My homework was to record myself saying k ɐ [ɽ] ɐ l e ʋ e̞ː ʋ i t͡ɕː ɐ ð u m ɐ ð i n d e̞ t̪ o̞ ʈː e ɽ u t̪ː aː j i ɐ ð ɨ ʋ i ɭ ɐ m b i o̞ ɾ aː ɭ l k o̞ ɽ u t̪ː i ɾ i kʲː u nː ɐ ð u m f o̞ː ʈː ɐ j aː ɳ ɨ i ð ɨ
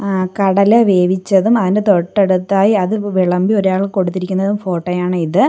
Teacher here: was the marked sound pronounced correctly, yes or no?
yes